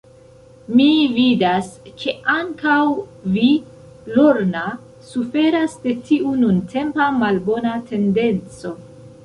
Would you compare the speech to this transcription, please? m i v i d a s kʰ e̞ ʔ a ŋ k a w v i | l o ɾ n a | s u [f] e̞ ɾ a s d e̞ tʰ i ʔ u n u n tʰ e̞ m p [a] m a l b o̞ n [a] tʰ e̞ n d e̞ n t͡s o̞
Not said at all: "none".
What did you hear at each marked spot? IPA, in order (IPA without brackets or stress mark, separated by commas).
f, a, a